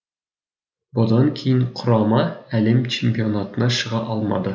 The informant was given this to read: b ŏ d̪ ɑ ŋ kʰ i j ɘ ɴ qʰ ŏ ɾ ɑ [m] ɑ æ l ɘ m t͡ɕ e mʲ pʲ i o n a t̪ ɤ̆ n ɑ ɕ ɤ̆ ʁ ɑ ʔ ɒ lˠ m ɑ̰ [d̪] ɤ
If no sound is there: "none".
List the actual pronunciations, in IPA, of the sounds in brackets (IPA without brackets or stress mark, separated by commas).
m, d̪